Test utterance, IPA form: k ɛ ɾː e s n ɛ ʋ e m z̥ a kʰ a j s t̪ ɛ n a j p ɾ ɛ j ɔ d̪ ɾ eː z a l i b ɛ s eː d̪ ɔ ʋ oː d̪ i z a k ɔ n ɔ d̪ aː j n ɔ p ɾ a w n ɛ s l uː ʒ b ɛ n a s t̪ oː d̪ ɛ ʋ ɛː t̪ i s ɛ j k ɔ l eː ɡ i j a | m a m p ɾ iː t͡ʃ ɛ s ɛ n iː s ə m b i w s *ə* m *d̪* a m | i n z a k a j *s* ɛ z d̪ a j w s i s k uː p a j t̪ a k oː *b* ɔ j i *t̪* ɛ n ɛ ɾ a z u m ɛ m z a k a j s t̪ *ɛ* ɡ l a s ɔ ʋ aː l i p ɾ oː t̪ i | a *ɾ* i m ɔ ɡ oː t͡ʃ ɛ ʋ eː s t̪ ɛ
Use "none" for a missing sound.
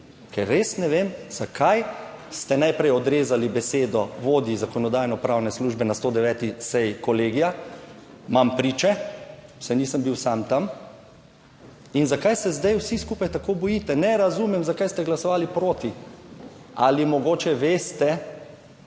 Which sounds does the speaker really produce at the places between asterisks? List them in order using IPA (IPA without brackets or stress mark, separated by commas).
a, t̪, s, b, t̪, ɛ, l